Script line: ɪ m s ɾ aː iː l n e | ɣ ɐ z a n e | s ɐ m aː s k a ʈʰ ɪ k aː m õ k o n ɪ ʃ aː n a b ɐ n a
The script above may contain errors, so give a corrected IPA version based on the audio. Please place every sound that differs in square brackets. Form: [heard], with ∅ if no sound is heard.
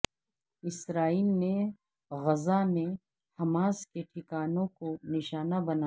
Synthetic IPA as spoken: ɪ [∅] s ɾ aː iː l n e | ɣ ɐ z a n e | [h] ɐ m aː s k [e] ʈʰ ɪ k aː [n] õ k o n ɪ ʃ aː n a b ɐ n a